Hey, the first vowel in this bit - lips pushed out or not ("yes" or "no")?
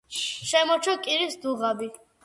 no